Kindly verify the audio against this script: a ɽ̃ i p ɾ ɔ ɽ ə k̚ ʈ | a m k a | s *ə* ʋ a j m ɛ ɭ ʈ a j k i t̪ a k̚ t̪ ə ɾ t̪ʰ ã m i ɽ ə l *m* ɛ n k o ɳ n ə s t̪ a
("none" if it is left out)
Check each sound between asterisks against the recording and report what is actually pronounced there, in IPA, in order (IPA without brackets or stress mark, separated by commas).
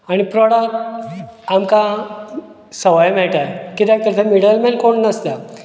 ə, m